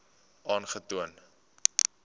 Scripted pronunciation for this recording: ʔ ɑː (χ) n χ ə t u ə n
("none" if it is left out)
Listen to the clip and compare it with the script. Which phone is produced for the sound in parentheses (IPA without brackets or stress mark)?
none